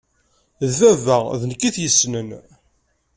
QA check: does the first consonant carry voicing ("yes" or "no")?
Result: yes